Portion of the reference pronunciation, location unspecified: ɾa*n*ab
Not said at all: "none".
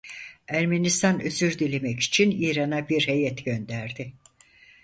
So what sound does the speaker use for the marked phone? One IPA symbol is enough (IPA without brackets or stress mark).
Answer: n